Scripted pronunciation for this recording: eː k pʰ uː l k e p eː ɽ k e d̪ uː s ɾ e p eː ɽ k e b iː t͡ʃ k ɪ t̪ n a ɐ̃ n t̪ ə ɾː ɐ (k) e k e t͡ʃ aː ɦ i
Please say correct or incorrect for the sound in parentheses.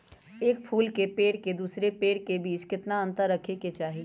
incorrect